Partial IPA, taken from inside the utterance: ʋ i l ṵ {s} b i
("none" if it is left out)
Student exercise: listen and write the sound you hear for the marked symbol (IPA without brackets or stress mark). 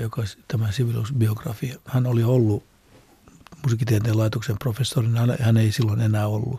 s